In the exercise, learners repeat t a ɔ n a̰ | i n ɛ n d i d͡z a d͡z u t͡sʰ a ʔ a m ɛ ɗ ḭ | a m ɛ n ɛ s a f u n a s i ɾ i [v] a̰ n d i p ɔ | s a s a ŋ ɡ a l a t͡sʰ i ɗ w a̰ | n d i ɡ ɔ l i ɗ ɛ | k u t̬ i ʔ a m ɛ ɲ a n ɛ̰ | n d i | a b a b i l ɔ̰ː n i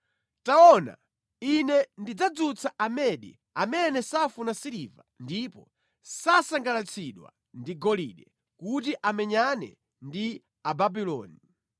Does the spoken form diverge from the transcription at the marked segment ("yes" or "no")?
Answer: no